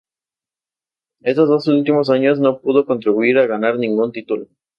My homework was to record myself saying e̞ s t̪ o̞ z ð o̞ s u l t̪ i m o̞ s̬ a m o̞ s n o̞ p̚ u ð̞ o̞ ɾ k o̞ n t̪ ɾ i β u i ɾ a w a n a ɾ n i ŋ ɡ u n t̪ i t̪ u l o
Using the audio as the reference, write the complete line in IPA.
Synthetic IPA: e̞ s t̪ o̞ z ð o̞ s u l t̪ i m o̞ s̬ a ɲ o̞ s n o̞ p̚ u ð̞ o̞ k o̞ n t̪ ɾ i β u i ɾ a ɣ a n a ɾ n ĩ ŋ ɡ u n t̪ i t̪ u l o